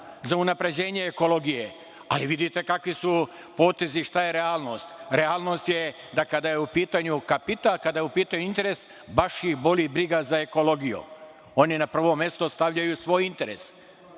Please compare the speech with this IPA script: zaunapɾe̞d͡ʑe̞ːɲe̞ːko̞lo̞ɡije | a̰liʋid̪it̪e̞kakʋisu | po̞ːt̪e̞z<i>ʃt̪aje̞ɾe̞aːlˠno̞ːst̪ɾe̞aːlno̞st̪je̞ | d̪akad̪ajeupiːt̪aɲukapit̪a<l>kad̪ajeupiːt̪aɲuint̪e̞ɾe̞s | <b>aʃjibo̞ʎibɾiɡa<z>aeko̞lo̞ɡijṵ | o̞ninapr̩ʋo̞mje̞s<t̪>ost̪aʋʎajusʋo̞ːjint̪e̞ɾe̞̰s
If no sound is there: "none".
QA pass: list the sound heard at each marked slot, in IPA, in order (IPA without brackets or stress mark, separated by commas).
i, l, b, z, t̪